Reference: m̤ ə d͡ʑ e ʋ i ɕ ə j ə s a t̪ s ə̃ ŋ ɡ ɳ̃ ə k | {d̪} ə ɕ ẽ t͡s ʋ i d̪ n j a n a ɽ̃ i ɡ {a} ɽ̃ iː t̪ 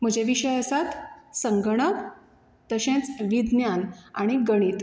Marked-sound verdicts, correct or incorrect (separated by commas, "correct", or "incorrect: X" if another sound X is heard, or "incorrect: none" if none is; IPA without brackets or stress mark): incorrect: t̪, incorrect: ə